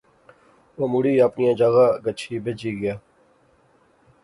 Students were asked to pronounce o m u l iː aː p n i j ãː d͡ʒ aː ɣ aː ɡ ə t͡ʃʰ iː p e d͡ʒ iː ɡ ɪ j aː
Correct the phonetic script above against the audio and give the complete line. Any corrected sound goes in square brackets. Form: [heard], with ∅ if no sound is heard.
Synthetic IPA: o m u [ɽ] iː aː p n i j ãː d͡ʒ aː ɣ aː ɡ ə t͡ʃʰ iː [b] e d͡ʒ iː ɡ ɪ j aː